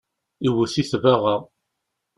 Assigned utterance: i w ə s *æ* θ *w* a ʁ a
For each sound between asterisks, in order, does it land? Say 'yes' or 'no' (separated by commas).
no, no